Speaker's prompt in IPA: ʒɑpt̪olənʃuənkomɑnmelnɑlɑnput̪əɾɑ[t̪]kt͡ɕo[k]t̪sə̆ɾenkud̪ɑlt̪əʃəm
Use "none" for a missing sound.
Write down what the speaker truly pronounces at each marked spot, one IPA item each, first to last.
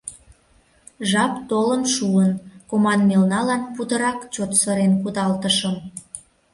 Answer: none, none

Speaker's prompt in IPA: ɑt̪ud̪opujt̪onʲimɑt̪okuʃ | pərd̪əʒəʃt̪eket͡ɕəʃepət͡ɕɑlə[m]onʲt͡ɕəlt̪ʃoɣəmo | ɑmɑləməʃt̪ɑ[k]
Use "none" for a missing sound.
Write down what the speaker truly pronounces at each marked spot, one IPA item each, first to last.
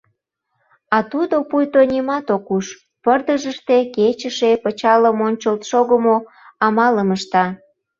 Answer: m, none

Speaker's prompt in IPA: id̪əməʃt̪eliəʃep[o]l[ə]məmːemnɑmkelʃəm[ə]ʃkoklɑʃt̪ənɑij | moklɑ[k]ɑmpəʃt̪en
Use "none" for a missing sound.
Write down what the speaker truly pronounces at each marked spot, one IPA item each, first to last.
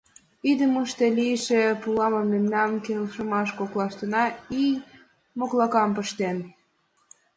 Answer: u, ɑ, ɑ, k

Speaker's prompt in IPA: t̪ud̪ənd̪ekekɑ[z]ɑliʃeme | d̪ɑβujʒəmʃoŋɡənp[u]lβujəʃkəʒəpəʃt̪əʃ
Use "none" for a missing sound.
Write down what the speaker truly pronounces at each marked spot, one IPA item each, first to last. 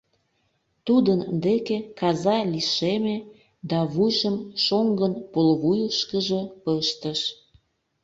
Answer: z, o

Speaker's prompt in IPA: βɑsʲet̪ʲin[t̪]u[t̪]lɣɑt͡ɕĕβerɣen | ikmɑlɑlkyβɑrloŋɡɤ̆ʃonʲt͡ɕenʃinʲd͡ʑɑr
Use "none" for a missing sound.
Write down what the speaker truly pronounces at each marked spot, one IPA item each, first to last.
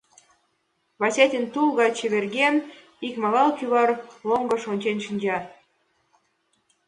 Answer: t̪, none

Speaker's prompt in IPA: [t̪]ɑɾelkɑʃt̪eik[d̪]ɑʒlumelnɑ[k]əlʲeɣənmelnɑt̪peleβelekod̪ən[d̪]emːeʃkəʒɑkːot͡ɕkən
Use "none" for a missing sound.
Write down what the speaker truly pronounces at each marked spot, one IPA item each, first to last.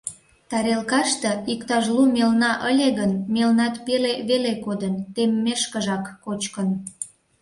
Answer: t̪, t̪, ʔ, t̪

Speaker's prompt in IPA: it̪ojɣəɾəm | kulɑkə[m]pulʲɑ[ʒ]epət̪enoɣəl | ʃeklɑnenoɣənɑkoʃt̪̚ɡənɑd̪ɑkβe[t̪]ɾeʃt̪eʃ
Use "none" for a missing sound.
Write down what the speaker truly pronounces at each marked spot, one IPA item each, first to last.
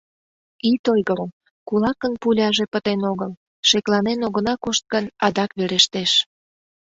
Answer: n, ʒ, none

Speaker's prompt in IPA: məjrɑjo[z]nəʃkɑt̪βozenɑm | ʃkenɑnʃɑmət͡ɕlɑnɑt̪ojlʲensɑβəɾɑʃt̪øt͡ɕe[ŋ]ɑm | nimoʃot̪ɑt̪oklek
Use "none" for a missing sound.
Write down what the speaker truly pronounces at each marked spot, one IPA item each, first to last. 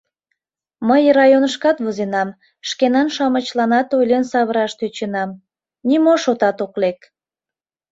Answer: none, n

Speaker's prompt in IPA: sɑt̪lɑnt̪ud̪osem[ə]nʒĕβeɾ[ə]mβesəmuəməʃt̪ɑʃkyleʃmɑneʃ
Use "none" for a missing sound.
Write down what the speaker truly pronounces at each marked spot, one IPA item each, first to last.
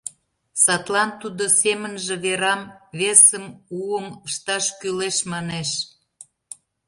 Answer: ə, ɑ

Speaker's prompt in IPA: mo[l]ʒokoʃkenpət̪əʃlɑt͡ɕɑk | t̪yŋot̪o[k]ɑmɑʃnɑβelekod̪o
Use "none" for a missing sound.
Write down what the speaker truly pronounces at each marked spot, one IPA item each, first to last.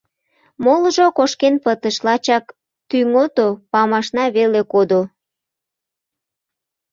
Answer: l, p

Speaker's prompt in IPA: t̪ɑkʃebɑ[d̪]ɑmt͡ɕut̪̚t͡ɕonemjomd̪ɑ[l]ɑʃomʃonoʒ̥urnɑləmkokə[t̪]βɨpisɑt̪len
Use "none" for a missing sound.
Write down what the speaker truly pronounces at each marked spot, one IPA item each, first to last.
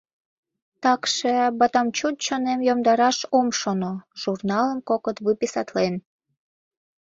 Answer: t̪, ɾ, t̪

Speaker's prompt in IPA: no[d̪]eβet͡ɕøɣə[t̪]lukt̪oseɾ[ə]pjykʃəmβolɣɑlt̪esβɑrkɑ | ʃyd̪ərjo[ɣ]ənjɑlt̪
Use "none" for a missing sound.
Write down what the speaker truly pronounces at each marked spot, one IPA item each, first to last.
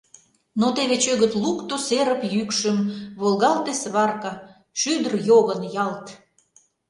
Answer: t̪, t̪, ə, ɣ

